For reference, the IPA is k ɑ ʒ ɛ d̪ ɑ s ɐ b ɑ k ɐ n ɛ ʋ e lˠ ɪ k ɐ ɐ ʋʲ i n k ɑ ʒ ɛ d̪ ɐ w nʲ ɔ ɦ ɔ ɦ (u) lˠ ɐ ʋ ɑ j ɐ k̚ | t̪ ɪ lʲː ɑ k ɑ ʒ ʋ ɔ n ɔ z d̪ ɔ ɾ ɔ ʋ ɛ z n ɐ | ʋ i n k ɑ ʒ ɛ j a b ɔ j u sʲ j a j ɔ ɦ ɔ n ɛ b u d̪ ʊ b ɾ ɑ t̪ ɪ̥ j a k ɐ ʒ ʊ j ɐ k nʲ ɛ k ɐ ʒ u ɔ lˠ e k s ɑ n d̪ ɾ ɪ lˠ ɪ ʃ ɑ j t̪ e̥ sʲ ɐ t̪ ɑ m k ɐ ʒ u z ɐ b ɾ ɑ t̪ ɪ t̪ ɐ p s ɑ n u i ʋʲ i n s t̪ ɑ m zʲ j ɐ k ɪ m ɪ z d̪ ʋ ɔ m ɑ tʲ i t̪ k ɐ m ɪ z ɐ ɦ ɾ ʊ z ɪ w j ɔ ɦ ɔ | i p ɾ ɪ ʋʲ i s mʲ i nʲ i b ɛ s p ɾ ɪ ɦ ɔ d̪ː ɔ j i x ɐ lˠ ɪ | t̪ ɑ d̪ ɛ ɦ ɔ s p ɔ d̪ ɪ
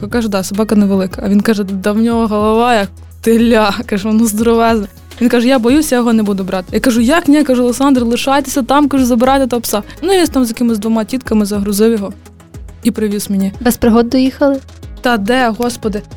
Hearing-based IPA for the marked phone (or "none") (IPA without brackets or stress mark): ɔ